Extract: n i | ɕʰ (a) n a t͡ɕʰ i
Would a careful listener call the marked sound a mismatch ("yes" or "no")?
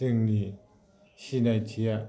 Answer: yes